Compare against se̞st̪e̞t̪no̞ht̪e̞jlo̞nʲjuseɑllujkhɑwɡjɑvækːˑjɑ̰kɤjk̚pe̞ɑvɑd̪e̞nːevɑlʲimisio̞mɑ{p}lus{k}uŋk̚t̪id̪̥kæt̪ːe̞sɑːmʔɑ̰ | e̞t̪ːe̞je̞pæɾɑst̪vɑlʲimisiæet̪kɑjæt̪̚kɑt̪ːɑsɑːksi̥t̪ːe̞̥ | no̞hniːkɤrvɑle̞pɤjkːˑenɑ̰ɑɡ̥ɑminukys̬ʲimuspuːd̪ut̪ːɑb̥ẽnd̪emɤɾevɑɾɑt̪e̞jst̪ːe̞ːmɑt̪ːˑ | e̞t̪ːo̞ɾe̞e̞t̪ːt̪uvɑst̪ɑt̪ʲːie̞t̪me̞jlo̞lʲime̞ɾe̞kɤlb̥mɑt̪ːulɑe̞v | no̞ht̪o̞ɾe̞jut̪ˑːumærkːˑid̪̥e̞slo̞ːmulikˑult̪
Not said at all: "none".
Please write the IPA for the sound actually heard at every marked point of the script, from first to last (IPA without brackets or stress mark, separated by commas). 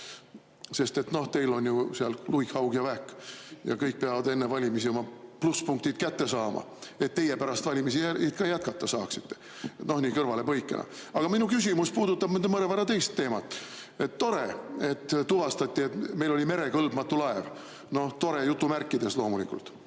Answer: p, p